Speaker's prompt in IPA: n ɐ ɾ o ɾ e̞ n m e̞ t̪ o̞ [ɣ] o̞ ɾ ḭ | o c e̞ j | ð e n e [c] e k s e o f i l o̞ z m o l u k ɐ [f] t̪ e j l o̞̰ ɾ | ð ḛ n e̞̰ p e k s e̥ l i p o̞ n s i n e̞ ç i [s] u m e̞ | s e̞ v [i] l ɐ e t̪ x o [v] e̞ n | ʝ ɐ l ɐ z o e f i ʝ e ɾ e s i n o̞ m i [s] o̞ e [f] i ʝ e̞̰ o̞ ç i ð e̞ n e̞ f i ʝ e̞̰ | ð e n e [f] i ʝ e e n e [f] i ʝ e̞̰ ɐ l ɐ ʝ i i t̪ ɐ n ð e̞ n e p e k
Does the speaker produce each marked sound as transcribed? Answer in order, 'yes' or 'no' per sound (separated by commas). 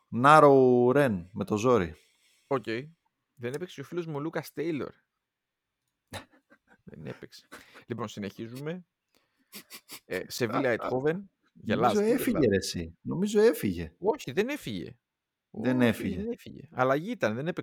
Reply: no, no, no, no, yes, yes, no, yes, yes, yes